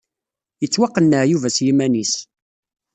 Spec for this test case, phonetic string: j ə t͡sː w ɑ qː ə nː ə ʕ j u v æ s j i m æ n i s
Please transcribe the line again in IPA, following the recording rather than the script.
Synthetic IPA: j ə t͡sː w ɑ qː ə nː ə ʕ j u v æ s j i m æ n i s